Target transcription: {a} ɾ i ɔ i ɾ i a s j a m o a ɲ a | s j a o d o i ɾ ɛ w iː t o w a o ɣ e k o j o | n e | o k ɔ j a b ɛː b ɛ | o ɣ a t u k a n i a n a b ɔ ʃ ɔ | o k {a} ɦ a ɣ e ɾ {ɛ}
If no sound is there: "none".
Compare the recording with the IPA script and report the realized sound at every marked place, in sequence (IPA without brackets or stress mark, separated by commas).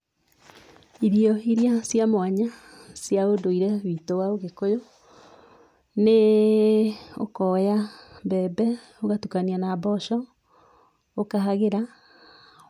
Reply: i, a, a